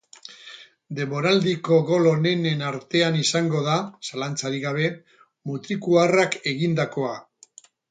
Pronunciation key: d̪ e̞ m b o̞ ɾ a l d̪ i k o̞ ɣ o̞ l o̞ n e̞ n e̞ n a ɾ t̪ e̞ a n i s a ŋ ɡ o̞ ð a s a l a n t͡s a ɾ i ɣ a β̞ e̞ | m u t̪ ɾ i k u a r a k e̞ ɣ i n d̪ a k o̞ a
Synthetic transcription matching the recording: d̪ e̞ m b o̞ ɾ a l d̪ i k o̞ ɣ o̞ l o̞ n e̞ n e̞ n a ɾ t̪ e̞ a n i s a ŋ ɡ o̞ ð a s a l a n t͡s a ɾ i ɣ a β̞ e̞ | m u t̪ ɾ i k u a r a k e̞ ɣ i n d̪ a k o̞ a